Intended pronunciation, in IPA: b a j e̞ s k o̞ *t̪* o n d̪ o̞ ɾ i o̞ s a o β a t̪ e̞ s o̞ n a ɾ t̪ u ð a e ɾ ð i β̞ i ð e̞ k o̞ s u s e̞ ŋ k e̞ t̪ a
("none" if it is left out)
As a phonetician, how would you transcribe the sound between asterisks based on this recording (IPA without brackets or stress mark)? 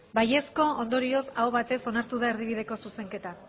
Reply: none